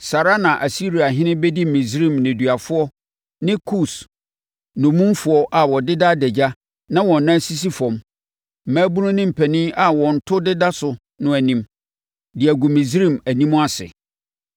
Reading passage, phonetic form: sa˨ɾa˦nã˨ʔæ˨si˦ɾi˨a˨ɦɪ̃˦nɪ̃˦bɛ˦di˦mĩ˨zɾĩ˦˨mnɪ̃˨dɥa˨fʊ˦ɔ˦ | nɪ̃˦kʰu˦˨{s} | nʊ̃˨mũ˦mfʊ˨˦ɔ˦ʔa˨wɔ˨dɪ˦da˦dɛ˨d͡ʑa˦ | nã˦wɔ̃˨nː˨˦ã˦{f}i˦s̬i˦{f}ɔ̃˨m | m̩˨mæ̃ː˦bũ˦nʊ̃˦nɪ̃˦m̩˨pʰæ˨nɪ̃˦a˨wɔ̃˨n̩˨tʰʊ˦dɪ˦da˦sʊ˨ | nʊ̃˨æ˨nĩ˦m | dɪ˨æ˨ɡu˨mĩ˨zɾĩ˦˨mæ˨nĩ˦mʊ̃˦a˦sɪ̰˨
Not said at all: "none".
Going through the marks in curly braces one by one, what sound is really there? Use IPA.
s, s, f

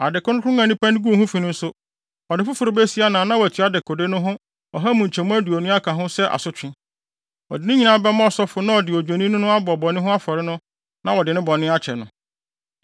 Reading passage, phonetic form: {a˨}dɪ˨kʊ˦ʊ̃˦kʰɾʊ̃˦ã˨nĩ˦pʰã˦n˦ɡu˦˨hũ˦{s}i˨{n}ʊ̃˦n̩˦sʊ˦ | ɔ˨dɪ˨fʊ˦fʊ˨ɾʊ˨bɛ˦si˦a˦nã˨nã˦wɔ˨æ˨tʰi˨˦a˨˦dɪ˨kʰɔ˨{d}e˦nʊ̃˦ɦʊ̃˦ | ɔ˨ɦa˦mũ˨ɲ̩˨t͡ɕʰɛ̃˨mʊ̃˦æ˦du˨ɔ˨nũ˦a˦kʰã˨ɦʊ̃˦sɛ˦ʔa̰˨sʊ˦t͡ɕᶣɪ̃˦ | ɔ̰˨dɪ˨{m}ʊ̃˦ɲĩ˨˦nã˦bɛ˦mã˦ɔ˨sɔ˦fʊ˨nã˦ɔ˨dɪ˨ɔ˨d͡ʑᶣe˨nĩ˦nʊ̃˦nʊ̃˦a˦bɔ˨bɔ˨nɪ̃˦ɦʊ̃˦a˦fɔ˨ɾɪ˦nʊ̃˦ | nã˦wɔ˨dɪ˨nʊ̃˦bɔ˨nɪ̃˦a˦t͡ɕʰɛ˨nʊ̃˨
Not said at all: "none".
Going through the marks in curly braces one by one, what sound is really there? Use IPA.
a˨, f, n, d, n

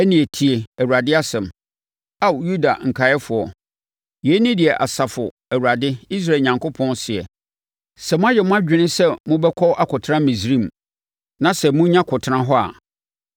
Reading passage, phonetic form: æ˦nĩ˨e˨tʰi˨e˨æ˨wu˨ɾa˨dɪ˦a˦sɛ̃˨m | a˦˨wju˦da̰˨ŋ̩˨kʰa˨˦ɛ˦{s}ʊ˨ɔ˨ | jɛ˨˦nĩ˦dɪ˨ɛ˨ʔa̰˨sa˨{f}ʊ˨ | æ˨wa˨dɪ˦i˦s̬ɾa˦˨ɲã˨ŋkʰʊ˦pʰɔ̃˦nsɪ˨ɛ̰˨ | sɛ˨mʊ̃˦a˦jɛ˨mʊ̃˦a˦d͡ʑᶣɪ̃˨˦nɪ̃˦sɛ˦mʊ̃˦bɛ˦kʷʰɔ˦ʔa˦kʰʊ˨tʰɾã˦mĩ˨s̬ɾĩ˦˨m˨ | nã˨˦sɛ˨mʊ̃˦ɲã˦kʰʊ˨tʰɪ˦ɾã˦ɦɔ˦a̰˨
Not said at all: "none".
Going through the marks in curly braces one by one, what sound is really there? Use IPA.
f, f

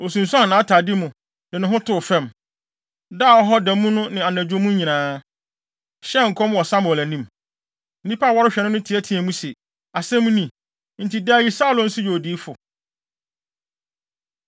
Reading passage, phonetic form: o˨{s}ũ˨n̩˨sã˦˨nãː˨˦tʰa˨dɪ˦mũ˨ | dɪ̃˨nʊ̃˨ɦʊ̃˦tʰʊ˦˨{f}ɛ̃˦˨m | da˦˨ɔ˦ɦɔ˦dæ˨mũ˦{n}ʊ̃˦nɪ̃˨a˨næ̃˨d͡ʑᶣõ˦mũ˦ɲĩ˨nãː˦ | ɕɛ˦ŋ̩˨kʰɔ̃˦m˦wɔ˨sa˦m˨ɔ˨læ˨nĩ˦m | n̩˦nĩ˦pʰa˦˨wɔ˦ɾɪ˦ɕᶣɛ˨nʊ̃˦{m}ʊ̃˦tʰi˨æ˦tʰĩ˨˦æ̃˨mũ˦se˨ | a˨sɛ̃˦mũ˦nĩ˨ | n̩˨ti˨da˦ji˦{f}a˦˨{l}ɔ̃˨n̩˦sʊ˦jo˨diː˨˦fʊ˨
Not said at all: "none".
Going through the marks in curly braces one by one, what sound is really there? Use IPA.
s, f, n, n, s, l

